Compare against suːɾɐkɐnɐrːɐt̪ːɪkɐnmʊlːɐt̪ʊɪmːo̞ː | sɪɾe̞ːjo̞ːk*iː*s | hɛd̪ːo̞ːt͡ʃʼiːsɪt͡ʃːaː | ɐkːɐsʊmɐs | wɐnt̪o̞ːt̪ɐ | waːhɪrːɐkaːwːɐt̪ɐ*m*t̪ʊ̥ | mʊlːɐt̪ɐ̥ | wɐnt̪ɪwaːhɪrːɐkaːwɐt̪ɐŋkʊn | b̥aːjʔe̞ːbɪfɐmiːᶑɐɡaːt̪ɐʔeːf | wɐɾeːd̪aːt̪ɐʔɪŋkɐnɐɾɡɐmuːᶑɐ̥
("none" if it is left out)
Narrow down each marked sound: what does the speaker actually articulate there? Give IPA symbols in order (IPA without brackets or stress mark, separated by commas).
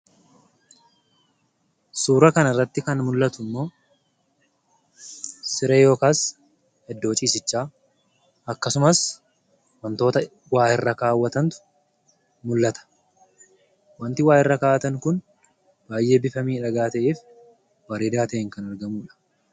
aː, n